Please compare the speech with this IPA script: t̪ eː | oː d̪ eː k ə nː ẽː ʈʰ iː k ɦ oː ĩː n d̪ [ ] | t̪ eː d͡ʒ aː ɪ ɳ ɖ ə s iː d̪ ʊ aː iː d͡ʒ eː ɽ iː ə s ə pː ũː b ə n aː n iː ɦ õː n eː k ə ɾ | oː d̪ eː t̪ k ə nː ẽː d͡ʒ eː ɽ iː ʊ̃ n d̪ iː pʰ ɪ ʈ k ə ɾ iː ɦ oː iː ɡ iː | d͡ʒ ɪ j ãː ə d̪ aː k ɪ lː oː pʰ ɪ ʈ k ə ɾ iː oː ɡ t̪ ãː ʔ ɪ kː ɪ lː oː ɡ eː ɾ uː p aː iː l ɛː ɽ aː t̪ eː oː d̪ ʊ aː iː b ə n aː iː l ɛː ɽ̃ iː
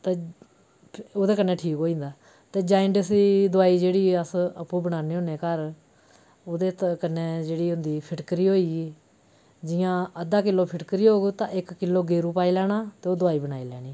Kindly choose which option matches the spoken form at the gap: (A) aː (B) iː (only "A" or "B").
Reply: A